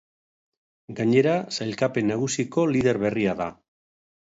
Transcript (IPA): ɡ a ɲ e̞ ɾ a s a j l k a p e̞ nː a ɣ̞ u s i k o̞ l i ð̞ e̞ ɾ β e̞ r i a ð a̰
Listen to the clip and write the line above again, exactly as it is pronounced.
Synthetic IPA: ɡ a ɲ e̞ ɾ a s a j l k a p e̞ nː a ɣ̞ u s i k o̞ l i ð̞ e̞ ɾ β e̞ r i a ð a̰